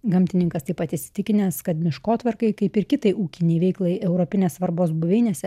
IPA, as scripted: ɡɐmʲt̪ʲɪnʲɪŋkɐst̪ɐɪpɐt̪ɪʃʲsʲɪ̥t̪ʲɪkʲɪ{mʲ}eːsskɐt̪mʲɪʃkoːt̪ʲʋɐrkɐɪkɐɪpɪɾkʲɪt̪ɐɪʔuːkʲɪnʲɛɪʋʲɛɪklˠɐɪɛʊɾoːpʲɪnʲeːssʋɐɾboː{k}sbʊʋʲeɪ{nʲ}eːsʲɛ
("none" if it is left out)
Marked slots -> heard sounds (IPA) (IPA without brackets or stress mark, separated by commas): nʲ, none, nʲ